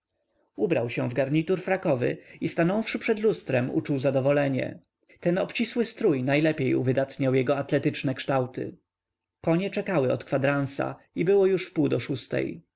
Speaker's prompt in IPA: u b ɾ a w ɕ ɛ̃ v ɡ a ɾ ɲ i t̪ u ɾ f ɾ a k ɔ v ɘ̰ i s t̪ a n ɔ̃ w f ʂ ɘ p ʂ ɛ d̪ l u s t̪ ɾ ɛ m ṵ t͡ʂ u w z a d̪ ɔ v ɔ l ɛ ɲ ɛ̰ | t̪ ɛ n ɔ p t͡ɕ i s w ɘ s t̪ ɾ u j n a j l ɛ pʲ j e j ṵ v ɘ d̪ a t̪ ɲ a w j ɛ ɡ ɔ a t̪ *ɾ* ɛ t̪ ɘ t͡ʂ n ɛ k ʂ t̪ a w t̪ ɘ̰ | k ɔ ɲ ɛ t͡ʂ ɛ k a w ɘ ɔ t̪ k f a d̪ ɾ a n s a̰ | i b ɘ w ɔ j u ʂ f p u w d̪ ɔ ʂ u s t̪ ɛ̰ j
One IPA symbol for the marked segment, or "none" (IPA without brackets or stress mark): l